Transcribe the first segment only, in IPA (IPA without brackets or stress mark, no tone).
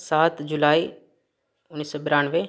s